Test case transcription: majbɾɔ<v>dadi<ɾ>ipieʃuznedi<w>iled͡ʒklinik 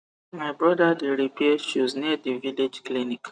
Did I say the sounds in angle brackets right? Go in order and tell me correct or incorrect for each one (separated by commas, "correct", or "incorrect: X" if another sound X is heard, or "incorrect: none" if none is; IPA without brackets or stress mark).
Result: incorrect: none, correct, incorrect: v